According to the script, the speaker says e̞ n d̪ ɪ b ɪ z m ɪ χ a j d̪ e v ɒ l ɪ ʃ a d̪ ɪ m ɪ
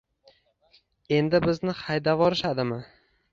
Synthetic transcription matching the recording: e̞ n d̪ ɪ b ɪ z n ɪ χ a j d̪ a v ɒ ɾ ɪ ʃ a d̪ ɪ m ɪ